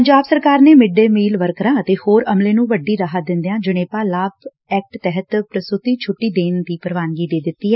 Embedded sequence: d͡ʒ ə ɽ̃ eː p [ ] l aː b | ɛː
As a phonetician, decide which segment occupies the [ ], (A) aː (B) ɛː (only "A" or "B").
A